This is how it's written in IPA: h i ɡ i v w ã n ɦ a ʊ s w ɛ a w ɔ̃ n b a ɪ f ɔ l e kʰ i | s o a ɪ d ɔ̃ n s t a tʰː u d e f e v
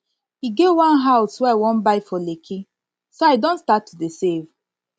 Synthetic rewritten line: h i ɡ e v w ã n ɦ a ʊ s w ɛ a w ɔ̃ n b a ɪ f ɔ l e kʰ i | s o a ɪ d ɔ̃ n s t a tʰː u d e s e v